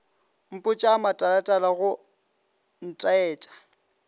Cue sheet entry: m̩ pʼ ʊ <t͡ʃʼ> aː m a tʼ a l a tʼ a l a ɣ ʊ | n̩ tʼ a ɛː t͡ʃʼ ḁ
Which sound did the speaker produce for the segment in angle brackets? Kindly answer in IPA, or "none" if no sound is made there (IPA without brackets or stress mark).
t͡ʃʼ